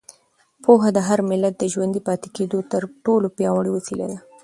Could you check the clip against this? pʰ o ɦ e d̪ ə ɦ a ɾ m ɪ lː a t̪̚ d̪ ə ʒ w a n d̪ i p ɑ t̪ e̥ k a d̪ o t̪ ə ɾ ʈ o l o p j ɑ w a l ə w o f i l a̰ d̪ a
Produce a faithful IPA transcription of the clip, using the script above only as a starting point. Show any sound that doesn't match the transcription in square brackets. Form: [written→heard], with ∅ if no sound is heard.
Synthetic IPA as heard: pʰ o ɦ [e→a] d̪ ə ɦ a ɾ m ɪ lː a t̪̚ d̪ ə ʒ w a n d̪ i p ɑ t̪ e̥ k [a→e] d̪ o t̪ ə ɾ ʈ o l o p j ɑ w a [l→ɽ] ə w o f i l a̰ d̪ a

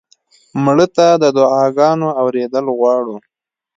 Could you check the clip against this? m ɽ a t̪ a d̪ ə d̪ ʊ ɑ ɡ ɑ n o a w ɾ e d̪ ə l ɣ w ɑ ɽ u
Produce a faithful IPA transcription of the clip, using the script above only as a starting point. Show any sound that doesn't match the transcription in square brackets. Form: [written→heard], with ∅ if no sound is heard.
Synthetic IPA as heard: m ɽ [a→ə] t̪ a d̪ ə d̪ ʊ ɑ ɡ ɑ n o a w ɾ e d̪ ə l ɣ w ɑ ɽ u

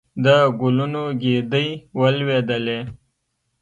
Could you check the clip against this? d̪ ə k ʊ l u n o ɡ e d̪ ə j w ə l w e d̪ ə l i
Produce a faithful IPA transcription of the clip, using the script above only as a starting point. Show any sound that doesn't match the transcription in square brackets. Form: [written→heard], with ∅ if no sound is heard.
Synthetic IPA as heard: d̪ ə [k→ɡ] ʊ l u n o ɡ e d̪ ə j w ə l w e d̪ ə l [i→e]

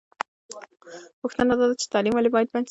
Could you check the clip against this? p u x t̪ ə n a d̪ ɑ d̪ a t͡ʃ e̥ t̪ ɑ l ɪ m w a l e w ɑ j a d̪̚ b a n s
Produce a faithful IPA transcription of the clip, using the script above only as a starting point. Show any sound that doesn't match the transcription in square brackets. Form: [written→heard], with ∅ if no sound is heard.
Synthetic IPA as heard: p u x t̪ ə n a d̪ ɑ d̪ a t͡ʃ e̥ t̪ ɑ l [ɪ→i] m w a l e [w→b] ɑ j a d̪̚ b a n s

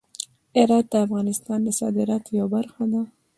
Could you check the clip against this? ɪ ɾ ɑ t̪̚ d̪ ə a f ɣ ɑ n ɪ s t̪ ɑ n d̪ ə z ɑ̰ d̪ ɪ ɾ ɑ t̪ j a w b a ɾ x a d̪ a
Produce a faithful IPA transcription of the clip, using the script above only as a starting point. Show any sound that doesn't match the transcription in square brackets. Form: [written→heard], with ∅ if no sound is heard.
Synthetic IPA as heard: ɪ ɾ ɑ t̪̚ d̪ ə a f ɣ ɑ n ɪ s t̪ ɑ n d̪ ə [z→s] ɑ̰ d̪ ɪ ɾ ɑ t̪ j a w b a ɾ x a d̪ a

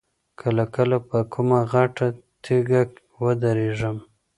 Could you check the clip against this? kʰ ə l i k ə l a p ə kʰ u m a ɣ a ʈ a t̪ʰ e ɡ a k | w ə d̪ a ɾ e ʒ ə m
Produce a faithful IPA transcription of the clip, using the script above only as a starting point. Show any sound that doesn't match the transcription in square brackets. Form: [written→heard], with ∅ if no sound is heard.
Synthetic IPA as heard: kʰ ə l [i→a] k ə l a p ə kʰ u m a ɣ a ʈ a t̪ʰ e ɡ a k | w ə d̪ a ɾ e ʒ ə m

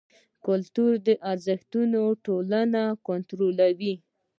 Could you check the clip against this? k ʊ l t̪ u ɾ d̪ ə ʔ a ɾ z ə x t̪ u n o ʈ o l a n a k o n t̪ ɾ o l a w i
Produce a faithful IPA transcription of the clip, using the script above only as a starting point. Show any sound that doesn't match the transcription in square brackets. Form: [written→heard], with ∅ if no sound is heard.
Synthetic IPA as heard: k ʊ l t̪ u ɾ d̪ ə ʔ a ɾ z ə x t̪ u n o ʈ o l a n a k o n t̪ ɾ o l a w i

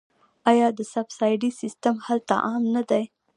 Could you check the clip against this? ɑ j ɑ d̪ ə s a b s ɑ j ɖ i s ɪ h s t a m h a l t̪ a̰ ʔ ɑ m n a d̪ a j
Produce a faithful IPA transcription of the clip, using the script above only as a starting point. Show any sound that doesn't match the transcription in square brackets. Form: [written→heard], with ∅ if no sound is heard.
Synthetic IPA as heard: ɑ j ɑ d̪ ə s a b s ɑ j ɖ i s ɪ [h→∅] s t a m h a l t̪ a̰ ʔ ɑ m n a d̪ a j

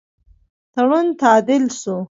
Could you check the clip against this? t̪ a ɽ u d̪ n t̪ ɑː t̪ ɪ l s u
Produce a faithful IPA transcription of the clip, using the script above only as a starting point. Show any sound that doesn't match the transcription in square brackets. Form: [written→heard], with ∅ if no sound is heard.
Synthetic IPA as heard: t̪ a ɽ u [d̪→∅] n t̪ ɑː [t̪→d̪] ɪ l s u

